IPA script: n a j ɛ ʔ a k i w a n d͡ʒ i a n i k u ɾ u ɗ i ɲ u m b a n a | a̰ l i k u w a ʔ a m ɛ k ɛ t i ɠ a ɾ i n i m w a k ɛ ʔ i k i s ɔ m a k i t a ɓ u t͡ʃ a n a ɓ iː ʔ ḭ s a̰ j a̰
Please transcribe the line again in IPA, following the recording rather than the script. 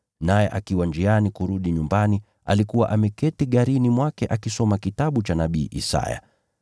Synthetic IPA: n a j ɛ ʔ a k i w a n d͡ʒ i a n i k u ɾ u ɗ i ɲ u m b a n i | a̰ l i k u w a ʔ a m ɛ k ɛ t i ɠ a ɾ i n i m w a k ɛ ʔ a k i s ɔ m a k i t a ɓ u t͡ʃ a n a ɓ iː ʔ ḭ s a̰ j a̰